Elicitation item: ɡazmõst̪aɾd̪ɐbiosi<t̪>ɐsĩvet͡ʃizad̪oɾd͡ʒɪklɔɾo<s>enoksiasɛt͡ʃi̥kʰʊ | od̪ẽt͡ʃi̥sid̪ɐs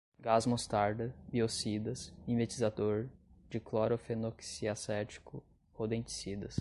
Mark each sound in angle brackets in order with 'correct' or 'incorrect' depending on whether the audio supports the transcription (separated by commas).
incorrect, incorrect